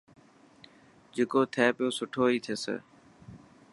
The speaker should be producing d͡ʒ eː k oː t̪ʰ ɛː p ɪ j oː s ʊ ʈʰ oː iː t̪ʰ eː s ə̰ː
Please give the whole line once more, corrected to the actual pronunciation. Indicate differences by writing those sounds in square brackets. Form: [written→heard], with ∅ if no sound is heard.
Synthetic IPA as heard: d͡ʒ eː k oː t̪ʰ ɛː p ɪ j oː s ʊ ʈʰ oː iː t̪ʰ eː s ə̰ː